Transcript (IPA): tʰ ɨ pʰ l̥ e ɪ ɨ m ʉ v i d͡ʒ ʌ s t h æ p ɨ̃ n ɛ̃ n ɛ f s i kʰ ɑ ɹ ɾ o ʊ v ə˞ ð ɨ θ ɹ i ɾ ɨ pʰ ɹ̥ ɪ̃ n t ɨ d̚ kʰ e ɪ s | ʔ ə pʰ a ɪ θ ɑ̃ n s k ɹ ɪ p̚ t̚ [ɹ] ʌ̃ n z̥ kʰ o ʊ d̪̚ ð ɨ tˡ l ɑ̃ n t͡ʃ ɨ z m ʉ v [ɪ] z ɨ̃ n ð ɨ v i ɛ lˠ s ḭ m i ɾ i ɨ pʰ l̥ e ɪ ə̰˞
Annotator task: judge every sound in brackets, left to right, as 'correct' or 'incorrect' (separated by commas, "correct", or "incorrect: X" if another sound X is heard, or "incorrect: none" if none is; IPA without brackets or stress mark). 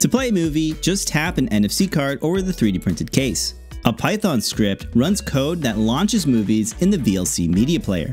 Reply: correct, incorrect: i